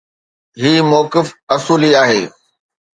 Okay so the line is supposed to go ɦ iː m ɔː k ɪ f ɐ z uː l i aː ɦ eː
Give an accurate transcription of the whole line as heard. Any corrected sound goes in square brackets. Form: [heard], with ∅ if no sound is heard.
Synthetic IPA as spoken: ɦ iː m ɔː k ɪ f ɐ [s] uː l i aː ɦ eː